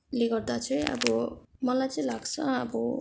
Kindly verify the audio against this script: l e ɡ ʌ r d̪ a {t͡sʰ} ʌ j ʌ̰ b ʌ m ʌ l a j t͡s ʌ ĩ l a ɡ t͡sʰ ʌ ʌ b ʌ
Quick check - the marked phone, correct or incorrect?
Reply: correct